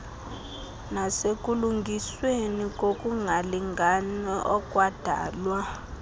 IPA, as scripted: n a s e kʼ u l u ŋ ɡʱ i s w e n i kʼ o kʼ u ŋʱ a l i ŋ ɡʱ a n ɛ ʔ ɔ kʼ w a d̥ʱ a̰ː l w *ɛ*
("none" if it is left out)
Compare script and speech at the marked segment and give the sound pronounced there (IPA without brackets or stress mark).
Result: a